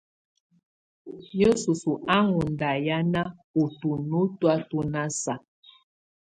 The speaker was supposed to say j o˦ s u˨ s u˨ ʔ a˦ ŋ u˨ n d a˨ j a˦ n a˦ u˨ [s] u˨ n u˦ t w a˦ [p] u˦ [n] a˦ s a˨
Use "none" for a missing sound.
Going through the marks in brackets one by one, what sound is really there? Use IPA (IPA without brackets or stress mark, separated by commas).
t, t, n